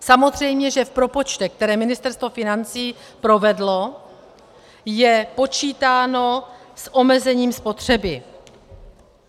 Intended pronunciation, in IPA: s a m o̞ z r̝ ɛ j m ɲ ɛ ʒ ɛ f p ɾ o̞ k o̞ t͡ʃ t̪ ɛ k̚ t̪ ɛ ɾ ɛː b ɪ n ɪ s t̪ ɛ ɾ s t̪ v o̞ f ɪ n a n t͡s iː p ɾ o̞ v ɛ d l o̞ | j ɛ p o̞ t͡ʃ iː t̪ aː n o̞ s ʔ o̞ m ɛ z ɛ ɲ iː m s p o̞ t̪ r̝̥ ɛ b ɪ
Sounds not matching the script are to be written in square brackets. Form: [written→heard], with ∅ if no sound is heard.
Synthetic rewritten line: s a m o̞ z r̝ ɛ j m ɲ ɛ ʒ ɛ f p ɾ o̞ [k→p] o̞ t͡ʃ t̪ ɛ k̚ t̪ ɛ ɾ ɛː [b→m] ɪ n ɪ s t̪ ɛ ɾ s t̪ v o̞ f ɪ n a n t͡s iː p ɾ o̞ v ɛ d l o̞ | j ɛ p o̞ t͡ʃ iː t̪ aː n o̞ s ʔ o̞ m ɛ z ɛ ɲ iː m s p o̞ t̪ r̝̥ ɛ b ɪ